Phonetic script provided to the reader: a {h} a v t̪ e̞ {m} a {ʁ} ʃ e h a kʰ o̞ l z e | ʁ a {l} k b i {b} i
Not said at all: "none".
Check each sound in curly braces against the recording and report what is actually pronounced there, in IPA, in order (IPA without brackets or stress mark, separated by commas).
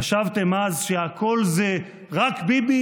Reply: ʃ, m, z, none, b